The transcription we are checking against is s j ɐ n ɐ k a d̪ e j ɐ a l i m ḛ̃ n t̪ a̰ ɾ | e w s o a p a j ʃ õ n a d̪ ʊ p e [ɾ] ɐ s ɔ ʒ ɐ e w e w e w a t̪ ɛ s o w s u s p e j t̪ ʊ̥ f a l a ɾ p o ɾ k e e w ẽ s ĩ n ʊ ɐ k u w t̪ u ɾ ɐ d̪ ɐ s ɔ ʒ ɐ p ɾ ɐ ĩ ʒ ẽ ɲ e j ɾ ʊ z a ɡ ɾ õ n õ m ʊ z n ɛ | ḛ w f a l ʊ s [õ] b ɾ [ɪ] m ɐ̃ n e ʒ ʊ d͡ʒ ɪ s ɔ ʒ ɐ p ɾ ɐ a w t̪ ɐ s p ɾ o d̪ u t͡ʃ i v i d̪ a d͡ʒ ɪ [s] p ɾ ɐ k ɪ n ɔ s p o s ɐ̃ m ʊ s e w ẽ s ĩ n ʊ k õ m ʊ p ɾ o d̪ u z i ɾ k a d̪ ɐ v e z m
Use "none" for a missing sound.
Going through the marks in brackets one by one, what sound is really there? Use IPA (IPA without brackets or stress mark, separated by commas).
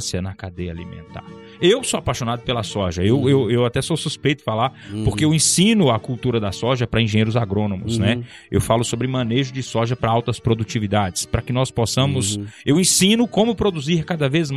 l, o, ɪ, s